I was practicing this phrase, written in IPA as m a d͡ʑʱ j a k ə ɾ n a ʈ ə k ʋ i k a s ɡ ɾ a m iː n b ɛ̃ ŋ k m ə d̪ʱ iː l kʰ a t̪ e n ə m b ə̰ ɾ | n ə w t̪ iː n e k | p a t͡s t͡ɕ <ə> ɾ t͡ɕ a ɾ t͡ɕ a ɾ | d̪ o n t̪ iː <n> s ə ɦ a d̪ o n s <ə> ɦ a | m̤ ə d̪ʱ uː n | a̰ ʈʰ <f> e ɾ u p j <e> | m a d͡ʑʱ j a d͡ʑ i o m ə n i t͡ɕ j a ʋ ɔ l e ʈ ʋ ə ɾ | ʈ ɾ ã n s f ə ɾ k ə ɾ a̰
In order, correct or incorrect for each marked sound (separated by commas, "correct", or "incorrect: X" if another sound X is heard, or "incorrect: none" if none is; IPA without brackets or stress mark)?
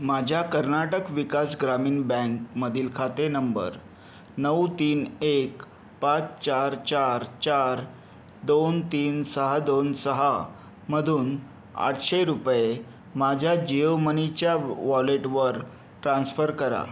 incorrect: a, correct, correct, incorrect: ɕ, correct